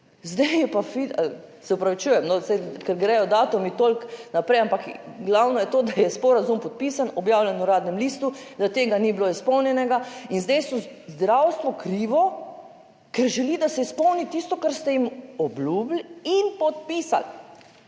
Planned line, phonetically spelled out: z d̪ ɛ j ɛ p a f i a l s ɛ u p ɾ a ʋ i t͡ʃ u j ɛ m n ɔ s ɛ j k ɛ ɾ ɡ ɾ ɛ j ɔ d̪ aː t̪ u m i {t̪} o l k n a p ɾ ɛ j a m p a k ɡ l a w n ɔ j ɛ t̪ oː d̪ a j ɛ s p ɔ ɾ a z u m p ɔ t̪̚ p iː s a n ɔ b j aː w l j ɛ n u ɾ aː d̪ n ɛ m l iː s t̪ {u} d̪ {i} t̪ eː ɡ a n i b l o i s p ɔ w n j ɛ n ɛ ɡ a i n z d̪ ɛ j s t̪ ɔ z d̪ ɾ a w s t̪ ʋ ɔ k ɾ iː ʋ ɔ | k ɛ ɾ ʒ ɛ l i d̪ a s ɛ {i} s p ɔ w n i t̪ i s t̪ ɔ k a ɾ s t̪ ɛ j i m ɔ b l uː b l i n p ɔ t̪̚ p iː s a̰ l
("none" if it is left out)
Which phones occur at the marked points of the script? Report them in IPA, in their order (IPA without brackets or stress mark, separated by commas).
t̪, u, a, i